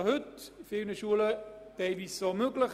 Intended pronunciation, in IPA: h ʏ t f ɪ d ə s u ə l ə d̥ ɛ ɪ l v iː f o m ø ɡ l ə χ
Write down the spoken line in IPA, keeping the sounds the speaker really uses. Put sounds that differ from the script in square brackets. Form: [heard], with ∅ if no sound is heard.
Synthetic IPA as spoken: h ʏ t f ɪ [n] ə [ʃ] u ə l ə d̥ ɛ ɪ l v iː [s] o m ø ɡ l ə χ